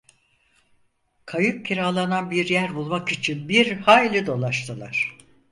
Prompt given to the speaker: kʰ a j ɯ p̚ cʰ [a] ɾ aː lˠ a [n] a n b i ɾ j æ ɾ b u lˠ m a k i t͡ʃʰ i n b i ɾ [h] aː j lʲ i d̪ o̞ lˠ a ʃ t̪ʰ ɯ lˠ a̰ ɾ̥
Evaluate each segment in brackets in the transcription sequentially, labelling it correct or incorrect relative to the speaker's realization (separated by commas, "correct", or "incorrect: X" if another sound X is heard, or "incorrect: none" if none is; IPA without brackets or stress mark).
incorrect: i, correct, correct